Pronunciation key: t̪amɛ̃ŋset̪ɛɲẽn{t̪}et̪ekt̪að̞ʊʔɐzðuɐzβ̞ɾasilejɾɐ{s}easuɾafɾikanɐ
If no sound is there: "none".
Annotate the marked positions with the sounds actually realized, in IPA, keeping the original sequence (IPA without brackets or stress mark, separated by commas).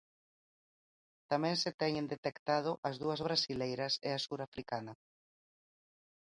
d̪, s